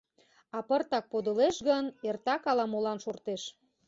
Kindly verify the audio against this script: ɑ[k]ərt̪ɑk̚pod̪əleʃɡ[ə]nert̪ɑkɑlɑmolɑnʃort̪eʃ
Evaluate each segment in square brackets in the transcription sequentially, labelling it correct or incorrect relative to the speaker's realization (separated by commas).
incorrect, correct